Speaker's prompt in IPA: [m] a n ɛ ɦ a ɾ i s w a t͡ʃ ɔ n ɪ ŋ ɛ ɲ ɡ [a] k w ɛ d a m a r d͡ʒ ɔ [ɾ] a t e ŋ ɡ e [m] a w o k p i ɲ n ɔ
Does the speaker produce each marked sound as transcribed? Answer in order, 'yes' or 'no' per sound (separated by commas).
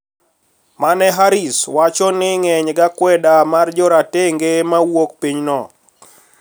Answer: yes, yes, yes, yes